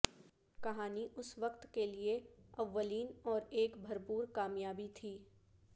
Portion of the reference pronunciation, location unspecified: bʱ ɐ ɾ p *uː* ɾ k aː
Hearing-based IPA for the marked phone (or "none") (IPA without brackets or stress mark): uː